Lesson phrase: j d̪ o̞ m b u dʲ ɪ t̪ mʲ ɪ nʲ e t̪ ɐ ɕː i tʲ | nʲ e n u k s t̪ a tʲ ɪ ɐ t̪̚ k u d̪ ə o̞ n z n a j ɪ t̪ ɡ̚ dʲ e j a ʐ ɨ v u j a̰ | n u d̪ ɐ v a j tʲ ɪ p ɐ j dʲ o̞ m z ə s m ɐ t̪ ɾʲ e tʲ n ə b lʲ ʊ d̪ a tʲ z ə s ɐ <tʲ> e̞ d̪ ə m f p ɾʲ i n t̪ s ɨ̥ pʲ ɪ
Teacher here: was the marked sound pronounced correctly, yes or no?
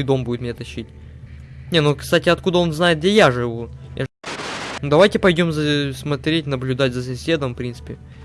no